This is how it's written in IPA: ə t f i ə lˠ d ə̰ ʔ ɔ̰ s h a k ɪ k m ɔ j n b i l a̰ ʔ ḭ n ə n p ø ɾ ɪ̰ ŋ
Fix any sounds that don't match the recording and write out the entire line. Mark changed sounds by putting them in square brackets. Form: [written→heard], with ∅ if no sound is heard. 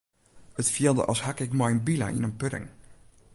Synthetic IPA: ə t f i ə lˠ d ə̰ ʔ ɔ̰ s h a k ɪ k m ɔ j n b i l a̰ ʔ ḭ n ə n p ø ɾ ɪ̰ ŋ